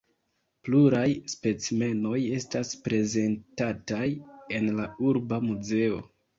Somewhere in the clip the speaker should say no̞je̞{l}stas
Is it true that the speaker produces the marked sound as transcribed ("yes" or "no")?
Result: no